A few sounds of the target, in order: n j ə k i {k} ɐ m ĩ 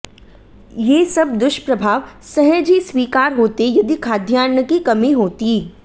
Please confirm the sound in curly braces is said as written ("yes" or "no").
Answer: yes